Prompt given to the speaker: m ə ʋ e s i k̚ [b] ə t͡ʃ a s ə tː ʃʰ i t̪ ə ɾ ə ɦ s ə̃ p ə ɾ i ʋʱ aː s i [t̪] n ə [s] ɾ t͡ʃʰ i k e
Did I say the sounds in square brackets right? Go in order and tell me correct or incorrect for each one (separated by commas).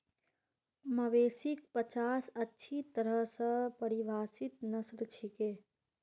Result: incorrect, correct, correct